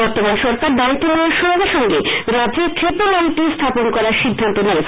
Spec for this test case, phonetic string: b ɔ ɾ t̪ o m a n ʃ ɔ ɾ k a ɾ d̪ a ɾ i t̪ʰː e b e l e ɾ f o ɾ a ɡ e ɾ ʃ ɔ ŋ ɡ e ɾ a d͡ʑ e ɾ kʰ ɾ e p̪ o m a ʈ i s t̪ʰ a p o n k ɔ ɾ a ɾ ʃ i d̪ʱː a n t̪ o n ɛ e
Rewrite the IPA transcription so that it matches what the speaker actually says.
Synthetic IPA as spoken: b ɔ ɾ t̪ o m a n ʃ ɔ ɾ k a ɾ d̪ a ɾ i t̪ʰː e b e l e ɾ ʃ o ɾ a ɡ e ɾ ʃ ɔ ŋ ɡ e ɾ a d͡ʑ e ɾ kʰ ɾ e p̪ o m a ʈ i s t̪ʰ a p o n k ɔ ɾ a ɾ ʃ i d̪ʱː a n t̪ o n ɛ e